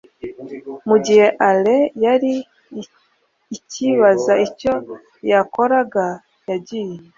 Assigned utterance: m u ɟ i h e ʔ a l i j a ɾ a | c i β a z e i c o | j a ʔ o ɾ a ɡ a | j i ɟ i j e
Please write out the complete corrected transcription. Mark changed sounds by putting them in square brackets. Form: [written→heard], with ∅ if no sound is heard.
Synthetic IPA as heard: m u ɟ i h e ʔ a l [i→e] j a ɾ [a→i] | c i β a z [e→a] i c o | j a [ʔ→k] o ɾ a ɡ a | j [i→a] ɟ i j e